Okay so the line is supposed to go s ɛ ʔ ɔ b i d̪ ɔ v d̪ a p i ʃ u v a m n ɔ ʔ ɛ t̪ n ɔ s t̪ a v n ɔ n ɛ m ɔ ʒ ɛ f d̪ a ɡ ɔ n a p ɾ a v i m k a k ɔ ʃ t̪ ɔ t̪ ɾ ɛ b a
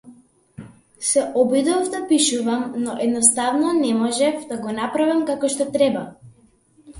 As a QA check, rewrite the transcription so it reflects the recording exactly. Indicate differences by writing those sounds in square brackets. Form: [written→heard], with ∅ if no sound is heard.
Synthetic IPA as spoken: s ɛ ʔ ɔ b i d̪ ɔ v d̪ a p i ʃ u v a m n ɔ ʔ ɛ [t̪→d̪] n ɔ s t̪ a v n ɔ n ɛ m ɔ ʒ ɛ f d̪ a ɡ ɔ n a p ɾ a v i m k a k ɔ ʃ t̪ ɔ t̪ ɾ ɛ b a